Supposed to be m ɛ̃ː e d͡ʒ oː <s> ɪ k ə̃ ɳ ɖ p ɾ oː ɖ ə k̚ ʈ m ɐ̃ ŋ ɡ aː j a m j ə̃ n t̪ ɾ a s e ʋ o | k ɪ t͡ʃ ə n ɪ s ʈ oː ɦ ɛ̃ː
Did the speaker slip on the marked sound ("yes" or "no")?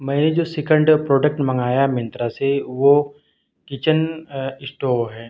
no